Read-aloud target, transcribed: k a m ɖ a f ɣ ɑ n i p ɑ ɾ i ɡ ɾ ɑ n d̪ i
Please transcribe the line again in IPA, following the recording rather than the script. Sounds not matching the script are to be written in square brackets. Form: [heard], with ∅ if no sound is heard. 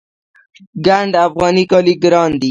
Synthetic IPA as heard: [ɡ] a [ɳ] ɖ a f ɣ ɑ n i [k] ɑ [l] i ɡ ɾ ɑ n d̪ i